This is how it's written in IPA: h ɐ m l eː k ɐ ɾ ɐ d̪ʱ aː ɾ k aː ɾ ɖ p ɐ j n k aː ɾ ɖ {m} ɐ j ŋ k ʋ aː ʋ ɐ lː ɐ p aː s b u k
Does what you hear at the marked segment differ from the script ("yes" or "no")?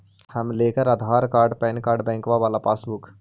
yes